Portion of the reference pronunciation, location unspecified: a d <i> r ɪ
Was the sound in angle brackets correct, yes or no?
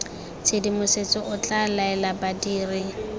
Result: no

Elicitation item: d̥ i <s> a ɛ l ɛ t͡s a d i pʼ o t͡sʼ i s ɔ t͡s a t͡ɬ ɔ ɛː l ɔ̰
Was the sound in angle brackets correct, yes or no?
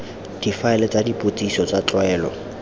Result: no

